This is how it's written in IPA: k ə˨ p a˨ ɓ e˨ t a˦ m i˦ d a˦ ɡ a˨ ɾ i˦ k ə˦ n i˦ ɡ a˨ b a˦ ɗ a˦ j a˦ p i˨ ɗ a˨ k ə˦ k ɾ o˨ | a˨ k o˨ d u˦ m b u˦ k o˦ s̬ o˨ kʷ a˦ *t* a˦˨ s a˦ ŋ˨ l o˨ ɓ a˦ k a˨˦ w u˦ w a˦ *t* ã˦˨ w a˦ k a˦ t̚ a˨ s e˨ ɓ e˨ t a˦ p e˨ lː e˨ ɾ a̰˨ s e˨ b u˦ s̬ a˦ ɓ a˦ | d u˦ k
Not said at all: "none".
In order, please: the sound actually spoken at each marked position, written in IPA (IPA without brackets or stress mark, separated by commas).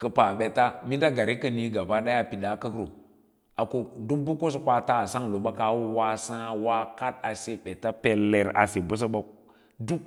t, s